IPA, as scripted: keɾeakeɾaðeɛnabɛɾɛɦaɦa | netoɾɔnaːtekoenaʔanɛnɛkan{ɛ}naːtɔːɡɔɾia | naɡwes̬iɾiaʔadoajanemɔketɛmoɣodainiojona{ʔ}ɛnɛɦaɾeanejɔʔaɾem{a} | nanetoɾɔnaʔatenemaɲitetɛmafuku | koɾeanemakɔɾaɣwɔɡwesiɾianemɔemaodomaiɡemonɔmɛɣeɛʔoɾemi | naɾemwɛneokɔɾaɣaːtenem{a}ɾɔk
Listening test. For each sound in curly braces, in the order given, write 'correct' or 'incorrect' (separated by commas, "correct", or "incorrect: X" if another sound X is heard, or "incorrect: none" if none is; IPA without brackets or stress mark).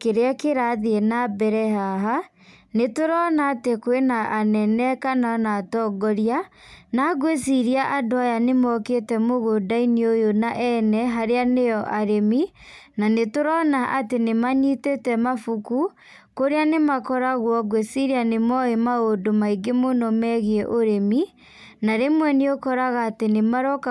incorrect: a, correct, incorrect: i, correct